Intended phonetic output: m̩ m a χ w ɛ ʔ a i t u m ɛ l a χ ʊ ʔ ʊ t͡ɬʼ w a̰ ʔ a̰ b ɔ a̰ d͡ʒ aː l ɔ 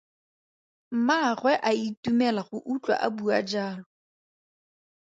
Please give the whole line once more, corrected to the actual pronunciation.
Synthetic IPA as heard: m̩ m a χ w ɛ ʔ a i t u m ɛ l a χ ʊ ʔ u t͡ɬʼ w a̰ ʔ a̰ b u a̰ d͡ʒ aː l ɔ